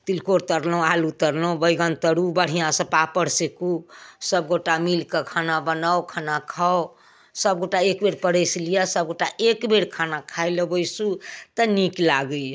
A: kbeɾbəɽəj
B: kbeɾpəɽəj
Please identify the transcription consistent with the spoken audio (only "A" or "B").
B